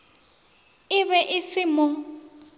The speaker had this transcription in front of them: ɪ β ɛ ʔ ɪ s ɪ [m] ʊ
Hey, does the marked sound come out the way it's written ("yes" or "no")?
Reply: yes